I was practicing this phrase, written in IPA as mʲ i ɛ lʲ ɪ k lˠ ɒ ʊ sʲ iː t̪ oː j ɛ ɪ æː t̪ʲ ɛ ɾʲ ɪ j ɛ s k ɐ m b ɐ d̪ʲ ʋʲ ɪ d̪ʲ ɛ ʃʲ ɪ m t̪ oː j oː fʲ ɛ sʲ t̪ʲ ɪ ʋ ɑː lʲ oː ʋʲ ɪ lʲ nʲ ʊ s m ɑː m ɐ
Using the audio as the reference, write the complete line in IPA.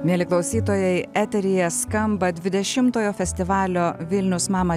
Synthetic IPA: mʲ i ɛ lʲ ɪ k lˠ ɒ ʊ sʲ iː t̪ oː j ɛ ɪ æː t̪ʲ ɛ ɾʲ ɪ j ɛ s k ɐ m b ɐ d̪ʲ ʋʲ ɪ d̪ʲ ɛ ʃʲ ɪ m t̪ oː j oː fʲ ɛ sʲ t̪ʲ ɪ ʋ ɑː lʲ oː ʋʲ ɪ lʲ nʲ ʊ s m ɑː m ɐ

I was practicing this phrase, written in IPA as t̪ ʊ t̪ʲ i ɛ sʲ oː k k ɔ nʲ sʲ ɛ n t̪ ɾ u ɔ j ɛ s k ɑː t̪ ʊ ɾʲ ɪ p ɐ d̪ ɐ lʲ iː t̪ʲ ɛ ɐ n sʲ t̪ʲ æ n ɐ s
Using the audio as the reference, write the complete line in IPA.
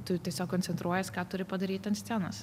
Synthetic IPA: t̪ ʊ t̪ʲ i ɛ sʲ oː k k ɔ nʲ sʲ ɛ n t̪ ɾ u ɔ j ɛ s k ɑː t̪ ʊ ɾʲ ɪ p ɐ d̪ ɐ ɾʲ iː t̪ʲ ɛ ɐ n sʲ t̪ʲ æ n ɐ s

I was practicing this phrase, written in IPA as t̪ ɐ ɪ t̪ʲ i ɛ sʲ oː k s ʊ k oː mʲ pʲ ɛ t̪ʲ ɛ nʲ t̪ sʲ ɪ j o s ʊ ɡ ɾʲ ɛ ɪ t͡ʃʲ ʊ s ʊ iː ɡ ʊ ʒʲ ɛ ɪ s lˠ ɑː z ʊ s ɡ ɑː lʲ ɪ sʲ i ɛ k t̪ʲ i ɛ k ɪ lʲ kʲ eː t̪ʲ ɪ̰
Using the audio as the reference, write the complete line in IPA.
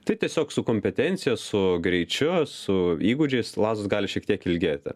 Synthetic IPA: t̪ ɐ ɪ t̪ʲ i ɛ sʲ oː k s ʊ k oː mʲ pʲ ɛ t̪ʲ ɛ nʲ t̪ sʲ ɪ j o s ʊ ɡ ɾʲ ɛ ɪ t͡ʃʲ ʊ s ʊ iː ɡ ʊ d͡ʒʲ ɛ ɪ s lˠ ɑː z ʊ s ɡ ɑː lʲ ɪ ʃʲ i ɛ k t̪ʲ i ɛ k ɪ lʲ ɡʲ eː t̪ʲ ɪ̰

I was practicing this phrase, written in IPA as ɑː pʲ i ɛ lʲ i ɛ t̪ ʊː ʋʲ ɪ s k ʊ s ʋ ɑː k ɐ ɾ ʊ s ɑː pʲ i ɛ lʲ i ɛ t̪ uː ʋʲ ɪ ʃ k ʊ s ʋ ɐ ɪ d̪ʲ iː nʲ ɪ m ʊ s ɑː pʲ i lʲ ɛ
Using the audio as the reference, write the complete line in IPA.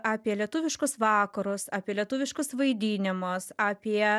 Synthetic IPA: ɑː pʲ i ɛ lʲ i ɛ t̪ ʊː ʋʲ ɪ ʃ k ʊ s ʋ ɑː k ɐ ɾ ʊ s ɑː pʲ i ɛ lʲ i ɛ t̪ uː ʋʲ ɪ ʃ k ʊ s ʋ ɐ ɪ d̪ʲ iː nʲ ɪ m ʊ s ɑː pʲ i ɛ

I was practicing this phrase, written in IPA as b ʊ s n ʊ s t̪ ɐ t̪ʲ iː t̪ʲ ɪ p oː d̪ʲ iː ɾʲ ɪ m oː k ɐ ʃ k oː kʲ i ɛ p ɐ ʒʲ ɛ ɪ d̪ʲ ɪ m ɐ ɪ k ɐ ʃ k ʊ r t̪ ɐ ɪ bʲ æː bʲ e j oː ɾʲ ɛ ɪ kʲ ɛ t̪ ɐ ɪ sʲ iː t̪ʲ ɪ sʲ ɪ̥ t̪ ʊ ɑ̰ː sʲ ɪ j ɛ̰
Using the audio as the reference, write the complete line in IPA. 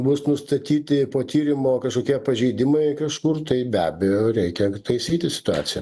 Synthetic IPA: b ʊ s n ʊ s t̪ ɐ t̪ʲ iː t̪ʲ ɪ p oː t̪ʲ iː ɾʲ ɪ m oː k ɐ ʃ k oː kʲ i ɛ p ɐ ʒʲ ɛ ɪ d̪ʲ ɪ m ɐ ɪ k ɐ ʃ k ʊ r t̪ ɐ ɪ bʲ æː bʲ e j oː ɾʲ ɛ ɪ kʲ ɛ t̪ ɐ ɪ sʲ iː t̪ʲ ɪ sʲ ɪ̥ t̪ ʊ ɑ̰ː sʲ ɪ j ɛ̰

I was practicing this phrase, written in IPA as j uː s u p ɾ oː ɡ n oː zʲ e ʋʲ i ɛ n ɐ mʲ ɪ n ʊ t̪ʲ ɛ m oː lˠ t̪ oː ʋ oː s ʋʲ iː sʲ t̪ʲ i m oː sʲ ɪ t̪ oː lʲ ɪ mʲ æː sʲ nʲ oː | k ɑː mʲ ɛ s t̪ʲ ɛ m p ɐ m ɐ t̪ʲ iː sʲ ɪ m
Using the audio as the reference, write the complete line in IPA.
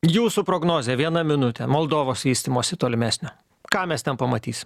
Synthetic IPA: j uː s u p ɾ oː ɡ n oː zʲ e ʋʲ i ɛ n ɐ mʲ ɪ n ʊ t̪ʲ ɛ m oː lˠ d̪ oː ʋ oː s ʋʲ iː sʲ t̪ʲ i m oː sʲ ɪ t̪ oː lʲ ɪ mʲ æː sʲ nʲ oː | k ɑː mʲ ɛ s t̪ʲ ɛ n p ɐ m ɐ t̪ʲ iː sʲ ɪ m

